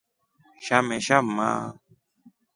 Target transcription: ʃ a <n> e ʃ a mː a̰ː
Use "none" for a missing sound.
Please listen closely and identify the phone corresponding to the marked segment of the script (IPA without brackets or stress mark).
m